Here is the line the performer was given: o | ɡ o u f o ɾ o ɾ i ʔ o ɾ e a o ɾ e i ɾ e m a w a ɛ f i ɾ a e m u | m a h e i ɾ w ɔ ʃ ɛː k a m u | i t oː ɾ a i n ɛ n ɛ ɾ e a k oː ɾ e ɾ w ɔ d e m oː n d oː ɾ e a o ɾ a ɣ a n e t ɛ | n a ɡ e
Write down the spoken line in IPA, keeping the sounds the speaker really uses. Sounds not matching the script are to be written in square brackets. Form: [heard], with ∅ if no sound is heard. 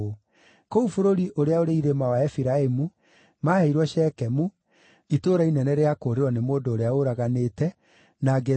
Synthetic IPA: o | [k] o u f o ɾ o ɾ i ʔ o ɾ e a o ɾ e i ɾ e m a w a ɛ f i ɾ a e m u | m a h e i ɾ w ɔ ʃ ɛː k [ɛ] m u | i t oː ɾ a i n ɛ n ɛ ɾ e a k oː ɾ e ɾ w ɔ [n] e m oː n d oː ɾ e a o ɾ a ɣ a n e t ɛ | n a ɡ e